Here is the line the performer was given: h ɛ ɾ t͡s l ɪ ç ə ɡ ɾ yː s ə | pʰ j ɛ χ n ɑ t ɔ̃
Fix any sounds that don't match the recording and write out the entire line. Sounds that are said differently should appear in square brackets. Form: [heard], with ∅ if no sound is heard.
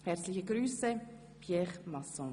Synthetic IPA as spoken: h ɛ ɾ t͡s l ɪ ç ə ɡ ɾ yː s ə | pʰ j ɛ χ [m] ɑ [s] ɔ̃